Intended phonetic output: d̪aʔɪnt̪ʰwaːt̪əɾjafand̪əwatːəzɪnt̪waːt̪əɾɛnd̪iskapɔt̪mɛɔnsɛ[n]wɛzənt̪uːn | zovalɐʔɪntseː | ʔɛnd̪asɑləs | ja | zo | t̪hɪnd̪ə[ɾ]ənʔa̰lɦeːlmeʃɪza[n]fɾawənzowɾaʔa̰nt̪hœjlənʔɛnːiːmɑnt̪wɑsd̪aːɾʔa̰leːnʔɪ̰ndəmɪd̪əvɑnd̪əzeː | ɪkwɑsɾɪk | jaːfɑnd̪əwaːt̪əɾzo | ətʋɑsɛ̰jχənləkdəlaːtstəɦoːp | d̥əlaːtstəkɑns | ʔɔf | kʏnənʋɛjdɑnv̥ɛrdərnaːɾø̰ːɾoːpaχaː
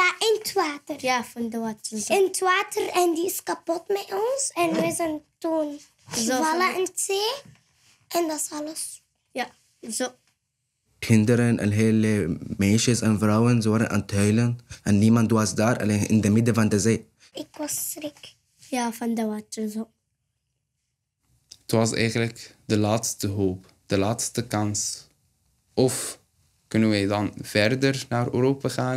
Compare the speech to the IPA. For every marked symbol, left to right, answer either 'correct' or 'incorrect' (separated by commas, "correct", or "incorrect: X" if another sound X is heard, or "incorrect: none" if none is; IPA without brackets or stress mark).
correct, correct, correct